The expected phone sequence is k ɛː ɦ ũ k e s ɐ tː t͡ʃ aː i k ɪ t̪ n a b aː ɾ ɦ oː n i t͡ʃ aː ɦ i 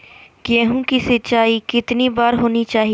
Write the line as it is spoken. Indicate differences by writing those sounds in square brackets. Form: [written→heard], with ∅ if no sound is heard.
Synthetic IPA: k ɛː ɦ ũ k [e→i] s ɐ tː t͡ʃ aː i k ɪ t̪ n [a→i] b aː ɾ ɦ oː n i t͡ʃ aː ɦ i